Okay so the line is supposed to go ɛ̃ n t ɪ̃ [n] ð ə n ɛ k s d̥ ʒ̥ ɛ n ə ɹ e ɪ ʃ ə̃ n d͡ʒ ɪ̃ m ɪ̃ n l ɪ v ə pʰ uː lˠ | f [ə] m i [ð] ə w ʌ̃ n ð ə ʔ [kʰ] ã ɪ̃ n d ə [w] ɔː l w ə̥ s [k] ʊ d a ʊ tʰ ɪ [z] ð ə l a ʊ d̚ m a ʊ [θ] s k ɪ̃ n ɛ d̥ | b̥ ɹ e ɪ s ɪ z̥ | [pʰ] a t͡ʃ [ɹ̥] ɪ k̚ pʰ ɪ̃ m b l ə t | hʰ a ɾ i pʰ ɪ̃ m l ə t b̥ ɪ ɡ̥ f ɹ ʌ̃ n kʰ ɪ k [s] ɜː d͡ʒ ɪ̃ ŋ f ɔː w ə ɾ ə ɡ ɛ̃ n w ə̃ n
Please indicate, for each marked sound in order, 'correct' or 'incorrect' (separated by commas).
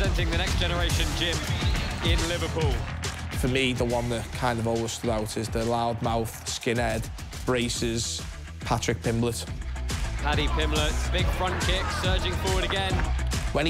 incorrect, correct, correct, correct, incorrect, incorrect, correct, correct, correct, correct, correct